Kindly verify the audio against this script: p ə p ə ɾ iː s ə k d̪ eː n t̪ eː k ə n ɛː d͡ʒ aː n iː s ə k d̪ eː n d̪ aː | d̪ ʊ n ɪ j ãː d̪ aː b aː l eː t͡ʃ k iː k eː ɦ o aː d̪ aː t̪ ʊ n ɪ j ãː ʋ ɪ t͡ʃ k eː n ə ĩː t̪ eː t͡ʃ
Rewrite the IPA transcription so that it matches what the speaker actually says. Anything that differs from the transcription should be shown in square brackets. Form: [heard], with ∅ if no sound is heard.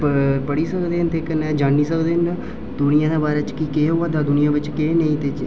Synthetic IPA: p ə p ə [ɽ] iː s ə k d̪ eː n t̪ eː k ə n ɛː d͡ʒ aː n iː s ə k d̪ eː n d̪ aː | d̪ ʊ n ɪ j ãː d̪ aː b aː [ɾ] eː t͡ʃ k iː k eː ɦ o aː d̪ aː [d̪] ʊ n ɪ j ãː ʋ ɪ t͡ʃ k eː n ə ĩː t̪ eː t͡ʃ